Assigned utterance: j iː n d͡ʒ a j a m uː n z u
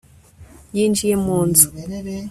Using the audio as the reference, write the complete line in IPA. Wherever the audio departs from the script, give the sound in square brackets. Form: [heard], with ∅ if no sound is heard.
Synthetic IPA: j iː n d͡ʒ [i] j [e] m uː n z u